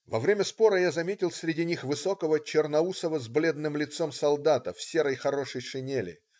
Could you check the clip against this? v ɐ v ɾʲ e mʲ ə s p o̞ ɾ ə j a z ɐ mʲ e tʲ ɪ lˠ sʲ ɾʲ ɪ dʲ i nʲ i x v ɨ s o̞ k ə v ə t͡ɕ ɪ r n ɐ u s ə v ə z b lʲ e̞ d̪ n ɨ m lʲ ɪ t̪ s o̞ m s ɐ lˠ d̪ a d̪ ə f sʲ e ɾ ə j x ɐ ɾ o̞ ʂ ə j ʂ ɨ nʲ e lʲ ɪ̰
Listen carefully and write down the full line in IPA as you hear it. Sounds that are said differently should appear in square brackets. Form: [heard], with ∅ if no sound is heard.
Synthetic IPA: v ɐ v ɾʲ e mʲ ə s p o̞ ɾ ə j a z ɐ mʲ e tʲ ɪ lˠ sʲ ɾʲ ɪ dʲ i nʲ i x v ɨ s o̞ k ə v ə t͡ɕ ɪ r n ɐ u s ə v ə z b lʲ e̞ d̪ n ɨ m lʲ ɪ t̪ s o̞ m s ɐ lˠ d̪ a [t̪] ə f sʲ e ɾ ə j x ɐ ɾ o̞ ʂ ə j ʂ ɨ nʲ e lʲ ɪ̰